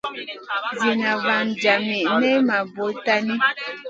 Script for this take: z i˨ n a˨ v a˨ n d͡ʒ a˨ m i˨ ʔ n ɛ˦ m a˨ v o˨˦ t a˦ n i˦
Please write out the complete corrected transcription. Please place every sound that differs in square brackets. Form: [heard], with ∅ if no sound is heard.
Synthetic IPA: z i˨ n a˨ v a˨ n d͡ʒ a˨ m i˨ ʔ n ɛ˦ m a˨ [b] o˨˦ t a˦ n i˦